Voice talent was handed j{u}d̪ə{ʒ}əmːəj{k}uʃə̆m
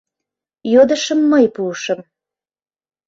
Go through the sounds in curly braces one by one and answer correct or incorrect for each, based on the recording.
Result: incorrect: o, incorrect: ʃ, incorrect: p

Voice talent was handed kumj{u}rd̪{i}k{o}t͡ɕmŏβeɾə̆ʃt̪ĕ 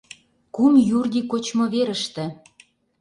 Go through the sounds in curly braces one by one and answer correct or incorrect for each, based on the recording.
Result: correct, correct, correct

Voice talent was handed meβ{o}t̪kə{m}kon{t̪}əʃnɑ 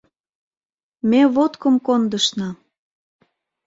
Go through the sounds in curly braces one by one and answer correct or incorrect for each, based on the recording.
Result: correct, correct, incorrect: d̪

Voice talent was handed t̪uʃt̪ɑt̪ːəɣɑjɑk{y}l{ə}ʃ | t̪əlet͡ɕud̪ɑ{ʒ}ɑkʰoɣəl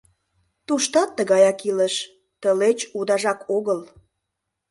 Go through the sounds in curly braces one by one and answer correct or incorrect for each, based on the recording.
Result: incorrect: i, correct, correct

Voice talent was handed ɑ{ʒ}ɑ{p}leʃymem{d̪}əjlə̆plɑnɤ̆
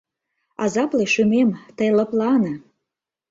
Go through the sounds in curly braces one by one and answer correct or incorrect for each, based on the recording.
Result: incorrect: z, correct, incorrect: t̪

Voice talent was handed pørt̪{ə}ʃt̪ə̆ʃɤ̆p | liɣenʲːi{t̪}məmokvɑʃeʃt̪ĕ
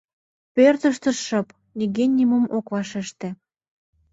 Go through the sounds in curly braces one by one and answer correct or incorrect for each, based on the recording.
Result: correct, incorrect: none

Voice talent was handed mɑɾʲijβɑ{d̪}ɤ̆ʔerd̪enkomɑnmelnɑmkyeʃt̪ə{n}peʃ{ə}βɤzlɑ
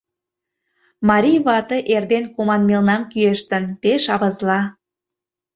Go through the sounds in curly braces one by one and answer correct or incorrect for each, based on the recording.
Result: incorrect: t̪, correct, incorrect: ɑ

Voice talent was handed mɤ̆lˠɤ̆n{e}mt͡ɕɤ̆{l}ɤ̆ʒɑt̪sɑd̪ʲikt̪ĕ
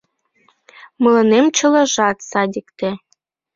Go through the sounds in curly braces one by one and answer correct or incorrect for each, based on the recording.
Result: correct, correct

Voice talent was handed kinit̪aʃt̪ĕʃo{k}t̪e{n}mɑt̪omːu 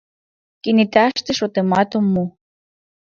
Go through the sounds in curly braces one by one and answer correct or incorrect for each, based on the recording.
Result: incorrect: none, incorrect: none

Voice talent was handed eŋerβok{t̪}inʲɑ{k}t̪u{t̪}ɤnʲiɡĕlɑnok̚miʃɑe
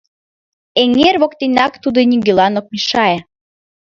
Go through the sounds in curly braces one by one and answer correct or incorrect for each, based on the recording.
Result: correct, correct, incorrect: d̪

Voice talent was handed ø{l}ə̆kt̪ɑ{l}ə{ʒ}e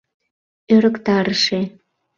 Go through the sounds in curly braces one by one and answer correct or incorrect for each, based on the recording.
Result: incorrect: ɾ, incorrect: ɾ, incorrect: ʃ

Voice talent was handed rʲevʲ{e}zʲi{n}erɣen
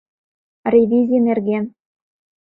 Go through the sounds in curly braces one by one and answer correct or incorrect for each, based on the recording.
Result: incorrect: i, correct

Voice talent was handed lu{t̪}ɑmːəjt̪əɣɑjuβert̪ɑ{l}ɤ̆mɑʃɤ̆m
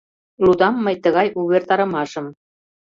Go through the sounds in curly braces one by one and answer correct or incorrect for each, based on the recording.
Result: incorrect: d̪, incorrect: ɾ

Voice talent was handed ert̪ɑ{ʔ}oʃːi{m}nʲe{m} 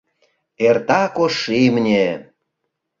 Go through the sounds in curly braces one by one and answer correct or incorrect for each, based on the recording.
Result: incorrect: k, correct, incorrect: none

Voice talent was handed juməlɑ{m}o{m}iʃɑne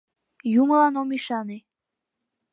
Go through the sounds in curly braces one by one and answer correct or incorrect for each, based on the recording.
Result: incorrect: n, correct

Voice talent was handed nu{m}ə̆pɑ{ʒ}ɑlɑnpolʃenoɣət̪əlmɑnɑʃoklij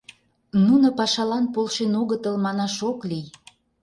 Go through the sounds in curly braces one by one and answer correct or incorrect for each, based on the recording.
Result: incorrect: n, incorrect: ʃ

